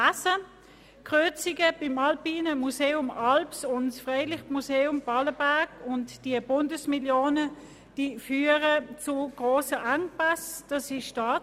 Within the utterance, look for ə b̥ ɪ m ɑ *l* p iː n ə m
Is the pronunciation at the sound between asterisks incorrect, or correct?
correct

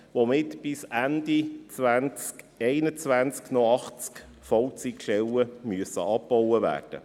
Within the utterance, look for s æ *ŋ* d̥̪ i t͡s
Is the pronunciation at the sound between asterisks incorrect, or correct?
incorrect: n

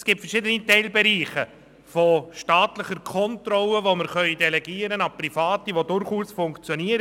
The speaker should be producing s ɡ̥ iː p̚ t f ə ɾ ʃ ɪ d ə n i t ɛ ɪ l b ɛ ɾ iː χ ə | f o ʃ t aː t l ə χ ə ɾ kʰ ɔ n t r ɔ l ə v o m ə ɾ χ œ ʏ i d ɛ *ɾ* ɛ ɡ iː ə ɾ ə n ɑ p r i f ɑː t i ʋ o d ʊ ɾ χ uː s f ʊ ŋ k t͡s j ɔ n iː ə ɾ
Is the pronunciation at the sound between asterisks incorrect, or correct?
incorrect: l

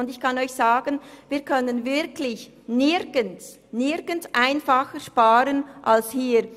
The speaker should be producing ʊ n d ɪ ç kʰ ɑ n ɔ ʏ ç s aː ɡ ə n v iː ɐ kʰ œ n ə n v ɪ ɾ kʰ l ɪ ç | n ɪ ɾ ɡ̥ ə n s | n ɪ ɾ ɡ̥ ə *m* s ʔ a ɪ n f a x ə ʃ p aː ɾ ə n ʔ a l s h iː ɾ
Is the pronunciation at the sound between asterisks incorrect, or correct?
incorrect: n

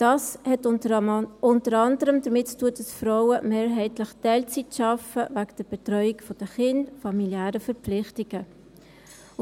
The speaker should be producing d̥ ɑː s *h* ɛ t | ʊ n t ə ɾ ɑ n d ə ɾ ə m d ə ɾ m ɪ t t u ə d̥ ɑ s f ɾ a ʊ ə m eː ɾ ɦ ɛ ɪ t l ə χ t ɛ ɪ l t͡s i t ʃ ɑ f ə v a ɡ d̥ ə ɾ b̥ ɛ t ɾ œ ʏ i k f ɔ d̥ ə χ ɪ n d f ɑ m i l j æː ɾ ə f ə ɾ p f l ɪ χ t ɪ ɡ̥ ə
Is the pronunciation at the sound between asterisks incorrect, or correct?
correct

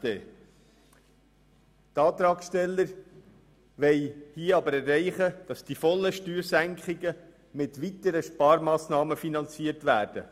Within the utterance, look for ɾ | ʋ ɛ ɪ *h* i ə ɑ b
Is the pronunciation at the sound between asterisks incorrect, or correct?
correct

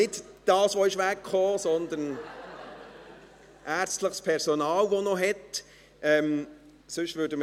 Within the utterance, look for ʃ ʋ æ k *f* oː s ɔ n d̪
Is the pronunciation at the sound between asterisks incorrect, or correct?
incorrect: χ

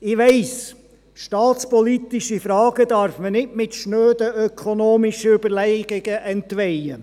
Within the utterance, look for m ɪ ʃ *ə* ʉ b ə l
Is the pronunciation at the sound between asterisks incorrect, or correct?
correct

